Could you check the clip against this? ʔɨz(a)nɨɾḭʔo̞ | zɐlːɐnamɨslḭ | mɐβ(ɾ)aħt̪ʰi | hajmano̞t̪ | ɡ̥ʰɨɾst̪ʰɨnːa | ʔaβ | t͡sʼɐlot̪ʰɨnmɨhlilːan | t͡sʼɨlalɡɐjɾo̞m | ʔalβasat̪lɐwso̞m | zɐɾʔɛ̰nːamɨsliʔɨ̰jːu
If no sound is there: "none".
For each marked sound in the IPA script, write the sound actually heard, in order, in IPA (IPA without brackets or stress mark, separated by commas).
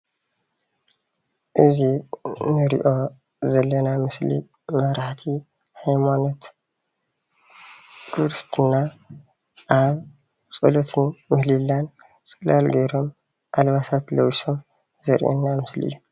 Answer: i, ɾ